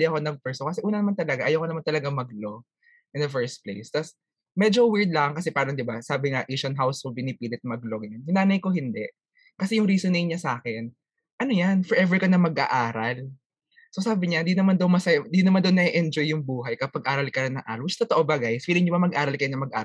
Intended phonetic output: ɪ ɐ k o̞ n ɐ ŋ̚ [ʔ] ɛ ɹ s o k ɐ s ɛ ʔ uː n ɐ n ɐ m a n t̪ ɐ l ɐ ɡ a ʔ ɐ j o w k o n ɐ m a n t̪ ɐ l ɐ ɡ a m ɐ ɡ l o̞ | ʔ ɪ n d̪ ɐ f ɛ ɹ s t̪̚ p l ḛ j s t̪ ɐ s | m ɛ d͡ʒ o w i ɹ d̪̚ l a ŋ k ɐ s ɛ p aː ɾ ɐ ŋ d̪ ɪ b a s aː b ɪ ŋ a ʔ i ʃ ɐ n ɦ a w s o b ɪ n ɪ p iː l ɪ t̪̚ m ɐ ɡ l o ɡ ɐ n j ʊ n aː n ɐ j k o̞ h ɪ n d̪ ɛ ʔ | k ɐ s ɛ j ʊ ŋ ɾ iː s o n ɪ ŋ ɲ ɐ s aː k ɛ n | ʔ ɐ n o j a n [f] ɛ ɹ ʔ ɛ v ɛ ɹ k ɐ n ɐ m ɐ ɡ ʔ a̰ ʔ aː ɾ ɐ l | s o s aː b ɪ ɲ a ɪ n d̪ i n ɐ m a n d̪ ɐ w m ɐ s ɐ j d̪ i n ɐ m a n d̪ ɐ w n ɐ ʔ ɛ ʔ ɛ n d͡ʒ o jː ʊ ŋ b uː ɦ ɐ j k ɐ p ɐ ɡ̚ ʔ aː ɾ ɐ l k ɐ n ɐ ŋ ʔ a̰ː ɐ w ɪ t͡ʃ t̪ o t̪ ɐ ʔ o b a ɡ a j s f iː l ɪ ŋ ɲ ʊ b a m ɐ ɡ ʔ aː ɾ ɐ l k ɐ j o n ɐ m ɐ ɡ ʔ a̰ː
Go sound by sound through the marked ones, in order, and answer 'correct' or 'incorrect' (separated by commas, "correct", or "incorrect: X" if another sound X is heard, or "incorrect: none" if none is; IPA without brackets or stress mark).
incorrect: p, correct